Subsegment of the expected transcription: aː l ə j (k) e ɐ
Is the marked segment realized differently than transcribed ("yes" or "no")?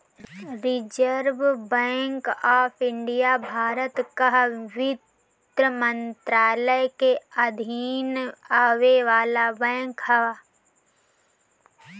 no